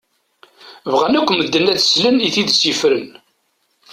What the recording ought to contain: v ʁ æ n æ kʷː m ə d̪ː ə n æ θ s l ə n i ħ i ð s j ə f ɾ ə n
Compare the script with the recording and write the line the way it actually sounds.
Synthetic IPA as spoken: v ʁ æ n æ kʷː m ə d̪ː ə n æ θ s l ə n i θ i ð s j ə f ɾ ə n